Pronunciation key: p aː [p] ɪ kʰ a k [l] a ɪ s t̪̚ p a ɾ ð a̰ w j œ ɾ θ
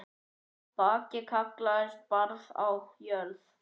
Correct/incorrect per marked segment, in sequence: incorrect, correct

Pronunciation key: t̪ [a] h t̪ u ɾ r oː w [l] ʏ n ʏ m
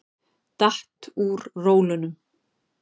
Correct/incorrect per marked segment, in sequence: correct, correct

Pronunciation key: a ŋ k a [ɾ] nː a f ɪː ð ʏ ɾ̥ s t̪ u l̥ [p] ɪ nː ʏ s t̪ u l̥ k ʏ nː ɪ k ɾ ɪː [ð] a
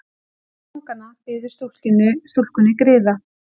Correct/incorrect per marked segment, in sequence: incorrect, incorrect, correct

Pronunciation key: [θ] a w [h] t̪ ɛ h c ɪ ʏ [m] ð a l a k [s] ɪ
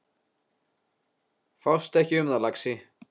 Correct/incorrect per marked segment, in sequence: incorrect, incorrect, correct, correct

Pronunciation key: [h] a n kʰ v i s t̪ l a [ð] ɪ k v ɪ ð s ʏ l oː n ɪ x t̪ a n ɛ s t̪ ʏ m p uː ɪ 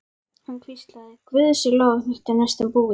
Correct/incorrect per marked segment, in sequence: correct, correct

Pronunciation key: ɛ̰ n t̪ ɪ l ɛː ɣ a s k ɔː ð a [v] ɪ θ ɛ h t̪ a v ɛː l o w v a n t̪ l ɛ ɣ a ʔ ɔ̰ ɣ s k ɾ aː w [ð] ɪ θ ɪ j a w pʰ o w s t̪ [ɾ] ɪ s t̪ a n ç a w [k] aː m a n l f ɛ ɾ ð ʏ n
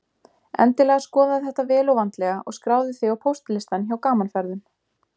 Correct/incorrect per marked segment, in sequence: incorrect, correct, incorrect, correct

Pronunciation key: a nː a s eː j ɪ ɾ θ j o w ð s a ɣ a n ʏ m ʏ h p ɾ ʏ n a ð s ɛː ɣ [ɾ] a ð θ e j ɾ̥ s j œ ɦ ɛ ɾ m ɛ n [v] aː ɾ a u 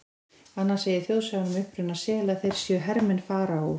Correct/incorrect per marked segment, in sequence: incorrect, incorrect

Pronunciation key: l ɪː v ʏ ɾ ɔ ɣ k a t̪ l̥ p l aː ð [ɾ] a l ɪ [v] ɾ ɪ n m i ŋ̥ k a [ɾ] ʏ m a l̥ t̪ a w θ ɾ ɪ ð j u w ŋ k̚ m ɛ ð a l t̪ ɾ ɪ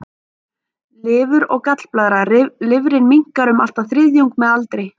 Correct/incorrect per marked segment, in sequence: correct, correct, correct

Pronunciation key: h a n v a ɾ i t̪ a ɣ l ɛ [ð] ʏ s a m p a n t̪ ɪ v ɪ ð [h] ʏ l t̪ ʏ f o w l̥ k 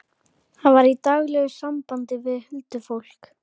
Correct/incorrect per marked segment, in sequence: incorrect, correct

